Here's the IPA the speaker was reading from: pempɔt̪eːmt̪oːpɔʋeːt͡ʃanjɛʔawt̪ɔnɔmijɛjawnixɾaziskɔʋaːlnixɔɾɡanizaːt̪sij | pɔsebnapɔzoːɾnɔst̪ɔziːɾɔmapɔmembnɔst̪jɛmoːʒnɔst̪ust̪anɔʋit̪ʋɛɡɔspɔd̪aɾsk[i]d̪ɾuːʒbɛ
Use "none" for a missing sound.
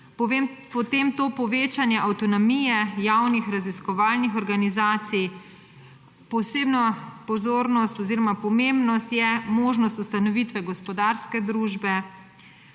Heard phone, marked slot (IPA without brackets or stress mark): ɛ